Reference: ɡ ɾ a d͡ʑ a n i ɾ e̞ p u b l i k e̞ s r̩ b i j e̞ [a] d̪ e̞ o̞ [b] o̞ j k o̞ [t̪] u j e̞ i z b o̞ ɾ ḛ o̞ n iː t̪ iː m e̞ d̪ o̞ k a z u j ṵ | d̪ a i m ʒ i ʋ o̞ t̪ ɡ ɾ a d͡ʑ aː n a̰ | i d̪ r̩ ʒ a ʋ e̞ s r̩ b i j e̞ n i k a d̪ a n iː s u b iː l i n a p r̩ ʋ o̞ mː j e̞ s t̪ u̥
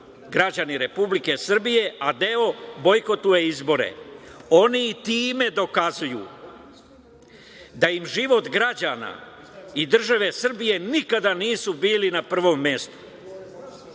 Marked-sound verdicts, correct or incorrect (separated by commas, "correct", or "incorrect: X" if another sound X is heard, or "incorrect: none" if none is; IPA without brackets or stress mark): correct, correct, correct